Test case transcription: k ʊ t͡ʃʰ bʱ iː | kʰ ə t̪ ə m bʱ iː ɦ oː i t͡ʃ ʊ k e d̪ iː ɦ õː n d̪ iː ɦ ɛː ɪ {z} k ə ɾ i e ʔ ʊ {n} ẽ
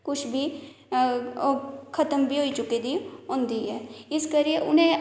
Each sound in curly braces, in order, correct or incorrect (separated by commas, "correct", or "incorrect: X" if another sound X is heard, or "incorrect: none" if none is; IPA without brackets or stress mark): incorrect: s, correct